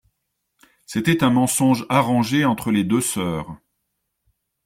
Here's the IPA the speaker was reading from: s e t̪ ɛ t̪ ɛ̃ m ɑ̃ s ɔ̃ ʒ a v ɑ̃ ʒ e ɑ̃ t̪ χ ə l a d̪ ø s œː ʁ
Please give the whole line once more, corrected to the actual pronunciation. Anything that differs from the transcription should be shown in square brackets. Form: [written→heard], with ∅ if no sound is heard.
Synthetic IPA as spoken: s e t̪ ɛ t̪ ɛ̃ m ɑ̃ s ɔ̃ ʒ a [v→ʁ] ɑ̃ ʒ e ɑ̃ t̪ χ ə l [a→e] d̪ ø s œː ʁ